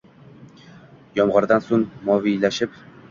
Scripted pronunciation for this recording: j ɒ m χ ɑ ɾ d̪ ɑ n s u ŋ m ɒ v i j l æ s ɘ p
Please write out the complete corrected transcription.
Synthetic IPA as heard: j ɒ m ʁ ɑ ɾ d̪ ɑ n s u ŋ m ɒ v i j l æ ʃ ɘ p

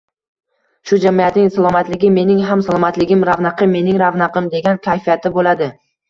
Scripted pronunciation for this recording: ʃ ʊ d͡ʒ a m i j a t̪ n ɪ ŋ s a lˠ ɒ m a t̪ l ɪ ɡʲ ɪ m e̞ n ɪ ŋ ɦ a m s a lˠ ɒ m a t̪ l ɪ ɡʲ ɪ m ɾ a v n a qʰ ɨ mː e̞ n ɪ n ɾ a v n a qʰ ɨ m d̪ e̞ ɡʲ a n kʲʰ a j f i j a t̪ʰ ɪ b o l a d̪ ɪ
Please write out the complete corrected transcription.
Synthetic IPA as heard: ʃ ʊ d͡ʒ a m i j a t̪ n ɪ ŋ s a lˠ ɒ m a t̪ l ɪ ɡʲ ɪ m e̞ n ɪ ŋ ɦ a m s a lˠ ɒ m a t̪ l ɪ ɡʲ ɪ m ɾ a v n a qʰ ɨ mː e̞ n ɪ ŋ ɾ a v n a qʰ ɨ m d̪ e̞ ɡʲ a n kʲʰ a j f i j a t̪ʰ ɪ b o l a d̪ ɪ

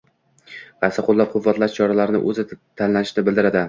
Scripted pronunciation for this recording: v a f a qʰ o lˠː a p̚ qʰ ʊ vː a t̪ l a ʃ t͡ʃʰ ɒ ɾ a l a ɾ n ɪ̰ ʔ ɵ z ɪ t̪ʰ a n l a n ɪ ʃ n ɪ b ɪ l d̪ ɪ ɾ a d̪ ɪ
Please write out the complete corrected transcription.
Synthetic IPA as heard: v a s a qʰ o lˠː a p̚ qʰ ʊ vː a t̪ l a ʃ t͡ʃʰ ɒ ɾ a l a ɾ n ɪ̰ ʔ ɵ z ɪ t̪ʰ a n l a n ɪ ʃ n ɪ b ɪ l d̪ ɪ ɾ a d̪ ɪ

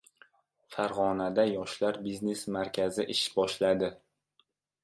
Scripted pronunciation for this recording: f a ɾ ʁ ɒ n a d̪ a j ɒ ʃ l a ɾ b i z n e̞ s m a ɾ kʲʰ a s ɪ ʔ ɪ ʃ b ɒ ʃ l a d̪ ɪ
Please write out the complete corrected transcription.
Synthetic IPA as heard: f a ɾ ʁ ɒ n a d̪ a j ɒ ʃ l a ɾ b i z n e̞ s m a ɾ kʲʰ a z ɪ ʔ ɪ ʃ b ɒ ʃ l a d̪ ɪ

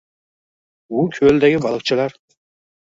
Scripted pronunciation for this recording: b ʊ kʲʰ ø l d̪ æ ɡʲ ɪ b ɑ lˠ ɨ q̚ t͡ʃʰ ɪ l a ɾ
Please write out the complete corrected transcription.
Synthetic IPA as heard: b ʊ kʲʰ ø l d̪ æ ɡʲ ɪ b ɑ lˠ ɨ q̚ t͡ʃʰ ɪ l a ɾ

